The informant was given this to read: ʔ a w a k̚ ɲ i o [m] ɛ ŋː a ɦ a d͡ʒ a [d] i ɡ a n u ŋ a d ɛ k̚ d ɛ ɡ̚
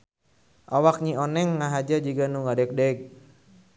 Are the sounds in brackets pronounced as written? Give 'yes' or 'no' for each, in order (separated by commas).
no, no